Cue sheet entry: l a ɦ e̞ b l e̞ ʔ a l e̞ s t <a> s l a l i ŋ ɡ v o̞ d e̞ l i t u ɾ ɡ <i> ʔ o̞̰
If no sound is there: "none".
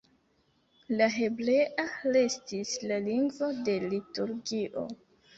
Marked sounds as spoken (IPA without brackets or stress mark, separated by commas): i, i